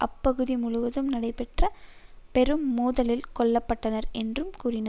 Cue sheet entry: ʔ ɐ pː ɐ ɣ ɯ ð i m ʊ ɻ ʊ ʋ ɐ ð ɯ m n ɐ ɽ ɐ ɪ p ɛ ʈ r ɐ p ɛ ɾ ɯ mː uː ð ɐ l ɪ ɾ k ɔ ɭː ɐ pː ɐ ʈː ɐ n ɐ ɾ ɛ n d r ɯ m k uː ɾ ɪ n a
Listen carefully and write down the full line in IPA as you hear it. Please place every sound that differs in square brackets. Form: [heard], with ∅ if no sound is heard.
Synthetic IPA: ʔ ɐ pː ɐ ɣ ɯ ð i m ʊ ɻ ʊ ʋ ɐ ð ɯ m n ɐ ɽ ɐ ɪ p ɛ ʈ r ɐ p ɛ ɾ ɯ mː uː ð ɐ l ɪ [l] k ɔ ɭː ɐ pː ɐ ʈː ɐ n ɐ ɾ ɛ n d r ɯ m k uː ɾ ɪ n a